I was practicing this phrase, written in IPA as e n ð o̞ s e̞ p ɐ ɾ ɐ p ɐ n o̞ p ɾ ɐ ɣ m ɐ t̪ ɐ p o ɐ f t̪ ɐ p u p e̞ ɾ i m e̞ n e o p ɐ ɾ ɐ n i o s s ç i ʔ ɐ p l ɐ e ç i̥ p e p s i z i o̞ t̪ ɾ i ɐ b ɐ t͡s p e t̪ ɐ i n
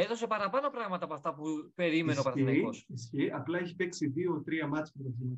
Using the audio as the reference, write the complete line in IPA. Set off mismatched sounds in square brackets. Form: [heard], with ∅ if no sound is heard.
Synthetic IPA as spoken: e [∅] ð o̞ s e̞ p ɐ ɾ ɐ p ɐ n o̞ p ɾ ɐ ɣ m ɐ t̪ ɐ p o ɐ f t̪ ɐ p u p e̞ ɾ i m e̞ n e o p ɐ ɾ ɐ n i o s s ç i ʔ ɐ p l ɐ e ç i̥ p e [k] s i [ð] i o̞ t̪ ɾ i ɐ [m] ɐ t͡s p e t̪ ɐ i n